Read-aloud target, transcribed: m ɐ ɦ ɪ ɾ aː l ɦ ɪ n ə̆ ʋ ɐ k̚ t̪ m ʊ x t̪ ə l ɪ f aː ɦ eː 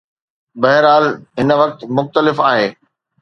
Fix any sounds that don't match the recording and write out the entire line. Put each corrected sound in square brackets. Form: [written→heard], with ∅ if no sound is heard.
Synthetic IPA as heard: [m→b] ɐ ɦ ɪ ɾ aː l ɦ ɪ n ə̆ ʋ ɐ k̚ t̪ m ʊ x t̪ ə l ɪ f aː ɦ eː